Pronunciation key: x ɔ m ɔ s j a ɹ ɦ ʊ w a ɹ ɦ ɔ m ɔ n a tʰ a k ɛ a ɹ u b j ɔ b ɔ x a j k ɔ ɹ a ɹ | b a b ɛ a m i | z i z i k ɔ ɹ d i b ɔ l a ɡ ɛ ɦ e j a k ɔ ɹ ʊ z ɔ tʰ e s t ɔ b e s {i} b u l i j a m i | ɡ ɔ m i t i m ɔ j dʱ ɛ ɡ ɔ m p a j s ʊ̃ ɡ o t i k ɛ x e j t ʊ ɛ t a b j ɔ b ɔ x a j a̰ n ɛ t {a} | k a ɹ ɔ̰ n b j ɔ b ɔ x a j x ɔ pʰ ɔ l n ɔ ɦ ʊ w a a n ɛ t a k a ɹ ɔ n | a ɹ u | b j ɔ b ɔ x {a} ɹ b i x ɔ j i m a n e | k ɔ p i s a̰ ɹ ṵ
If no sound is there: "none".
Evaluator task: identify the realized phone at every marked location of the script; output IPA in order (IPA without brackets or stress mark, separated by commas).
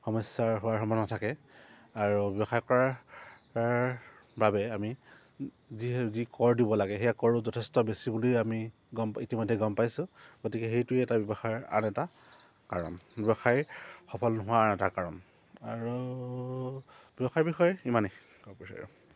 i, a, a